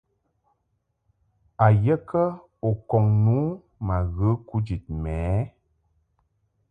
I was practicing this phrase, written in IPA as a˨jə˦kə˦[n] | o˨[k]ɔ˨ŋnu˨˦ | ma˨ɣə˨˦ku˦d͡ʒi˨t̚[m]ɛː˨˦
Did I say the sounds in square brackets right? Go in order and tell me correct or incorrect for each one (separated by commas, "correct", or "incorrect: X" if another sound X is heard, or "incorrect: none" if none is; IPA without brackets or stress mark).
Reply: incorrect: none, correct, correct